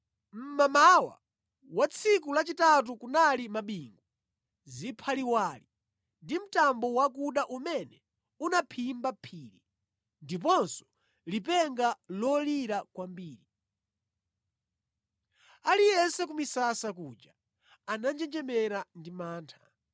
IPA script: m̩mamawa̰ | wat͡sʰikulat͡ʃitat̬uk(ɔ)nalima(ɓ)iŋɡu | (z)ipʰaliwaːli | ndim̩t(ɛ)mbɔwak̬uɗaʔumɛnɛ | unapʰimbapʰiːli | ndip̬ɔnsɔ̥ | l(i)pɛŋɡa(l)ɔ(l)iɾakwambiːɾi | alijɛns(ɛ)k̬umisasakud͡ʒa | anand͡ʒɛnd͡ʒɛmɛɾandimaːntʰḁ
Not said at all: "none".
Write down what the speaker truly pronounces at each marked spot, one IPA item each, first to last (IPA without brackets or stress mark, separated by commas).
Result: u, ɓ, z, a, i, l, l, ɛ